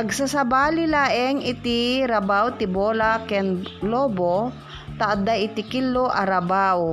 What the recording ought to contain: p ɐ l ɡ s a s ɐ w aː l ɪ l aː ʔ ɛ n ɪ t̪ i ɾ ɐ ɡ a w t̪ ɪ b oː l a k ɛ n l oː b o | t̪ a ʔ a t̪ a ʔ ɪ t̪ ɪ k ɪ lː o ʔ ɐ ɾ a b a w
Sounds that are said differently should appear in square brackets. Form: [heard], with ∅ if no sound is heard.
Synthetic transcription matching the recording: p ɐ [∅] ɡ s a s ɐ [b] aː l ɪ l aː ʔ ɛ [ŋ] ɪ t̪ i ɾ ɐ [b] a w t̪ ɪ b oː l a k ɛ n l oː b o | t̪ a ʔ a [d̪] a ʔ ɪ t̪ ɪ k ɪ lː o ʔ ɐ ɾ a b a w